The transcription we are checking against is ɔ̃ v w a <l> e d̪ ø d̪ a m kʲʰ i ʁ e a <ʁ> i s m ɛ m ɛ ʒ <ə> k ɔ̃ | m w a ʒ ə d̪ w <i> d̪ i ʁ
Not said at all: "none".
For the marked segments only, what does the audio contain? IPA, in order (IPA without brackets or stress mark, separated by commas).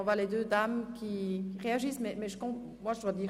l, ʒ, ə, a